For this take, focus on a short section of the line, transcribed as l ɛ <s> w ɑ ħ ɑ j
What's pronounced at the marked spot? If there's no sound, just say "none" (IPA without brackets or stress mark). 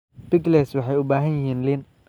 s